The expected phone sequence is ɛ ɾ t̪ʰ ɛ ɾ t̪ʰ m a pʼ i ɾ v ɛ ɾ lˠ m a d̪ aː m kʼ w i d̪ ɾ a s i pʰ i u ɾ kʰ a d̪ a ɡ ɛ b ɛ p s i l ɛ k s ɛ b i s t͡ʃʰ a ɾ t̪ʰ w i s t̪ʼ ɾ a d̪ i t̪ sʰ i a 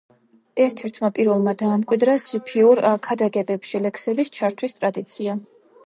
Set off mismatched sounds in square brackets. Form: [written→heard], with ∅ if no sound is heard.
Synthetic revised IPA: ɛ ɾ t̪ʰ ɛ ɾ t̪ʰ m a pʼ i ɾ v ɛ [ɾ→∅] lˠ m a d̪ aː m kʼ w i d̪ ɾ a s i pʰ i u ɾ kʰ a d̪ a ɡ ɛ b ɛ p [s→ʃ] i l ɛ k s ɛ b i s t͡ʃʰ a ɾ t̪ʰ w i s t̪ʼ ɾ a d̪ i t̪ sʰ i a